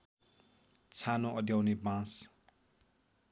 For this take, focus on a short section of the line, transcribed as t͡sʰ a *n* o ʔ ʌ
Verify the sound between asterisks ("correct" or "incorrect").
correct